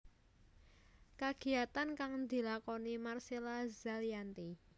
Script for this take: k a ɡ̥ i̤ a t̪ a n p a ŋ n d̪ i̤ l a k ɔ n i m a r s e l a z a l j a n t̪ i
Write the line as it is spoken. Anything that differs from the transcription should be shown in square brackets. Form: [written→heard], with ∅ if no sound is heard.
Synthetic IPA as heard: k a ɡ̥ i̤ a t̪ a n [p→k] a ŋ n d̪ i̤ l a k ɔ n i m a r s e l a z a l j a n t̪ i